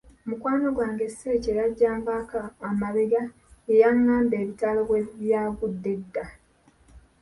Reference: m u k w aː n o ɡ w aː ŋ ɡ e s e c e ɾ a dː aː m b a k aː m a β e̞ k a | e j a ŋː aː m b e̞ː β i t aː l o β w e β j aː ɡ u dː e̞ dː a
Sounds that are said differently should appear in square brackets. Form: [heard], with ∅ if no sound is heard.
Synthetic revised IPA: m u k w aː n o ɡ w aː ŋ ɡ e s e c e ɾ a [ɟː] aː m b a k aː m a β e̞ [ɡ] a | e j a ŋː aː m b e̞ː β i t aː l o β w e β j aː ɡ u dː e̞ dː a